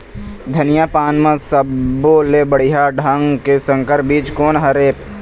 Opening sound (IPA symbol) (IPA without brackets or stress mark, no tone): d̪ʱ